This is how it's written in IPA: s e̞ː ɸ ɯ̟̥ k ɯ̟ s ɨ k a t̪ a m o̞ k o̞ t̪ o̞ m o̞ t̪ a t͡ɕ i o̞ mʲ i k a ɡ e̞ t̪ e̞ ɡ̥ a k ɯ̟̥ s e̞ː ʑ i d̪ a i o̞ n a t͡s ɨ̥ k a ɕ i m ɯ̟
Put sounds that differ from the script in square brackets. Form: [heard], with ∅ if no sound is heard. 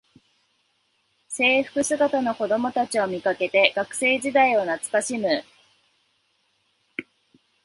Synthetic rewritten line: s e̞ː ɸ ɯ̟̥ k ɯ̟ s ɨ [ɡ] a t̪ a [n] o̞ k o̞ [d̪] o̞ m o̞ t̪ a t͡ɕ i o̞ mʲ i k a [k] e̞ t̪ e̞ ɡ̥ a k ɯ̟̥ s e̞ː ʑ i d̪ a i o̞ n a t͡s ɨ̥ k a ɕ i m ɯ̟